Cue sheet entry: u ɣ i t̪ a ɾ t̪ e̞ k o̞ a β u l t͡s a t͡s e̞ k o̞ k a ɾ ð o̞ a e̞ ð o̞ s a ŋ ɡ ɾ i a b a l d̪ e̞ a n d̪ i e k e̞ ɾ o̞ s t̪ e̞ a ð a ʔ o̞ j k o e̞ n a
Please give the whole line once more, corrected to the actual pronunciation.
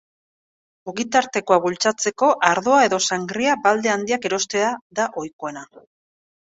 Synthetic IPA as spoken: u ɣ i t̪ a ɾ t̪ e̞ k o̞ a β u l t͡s a t͡s e̞ k o̞ ʔ a ɾ ð o̞ a e̞ ð o̞ s a ŋ ɡ ɾ i a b a l d̪ e̞ a n d̪ i a k e̞ ɾ o̞ s t̪ e̞ a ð a ʔ o̞ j k o e̞ n a